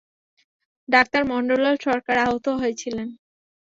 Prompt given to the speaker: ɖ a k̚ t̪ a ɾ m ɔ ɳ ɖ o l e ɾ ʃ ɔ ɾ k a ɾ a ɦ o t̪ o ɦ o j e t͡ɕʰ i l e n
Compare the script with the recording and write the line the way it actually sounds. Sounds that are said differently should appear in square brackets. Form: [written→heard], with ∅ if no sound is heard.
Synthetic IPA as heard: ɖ a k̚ t̪ a ɾ m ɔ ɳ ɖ o l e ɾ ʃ ɔ ɾ k a ɾ a ɦ o t̪ o ɦ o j e t͡ɕʰ i l e n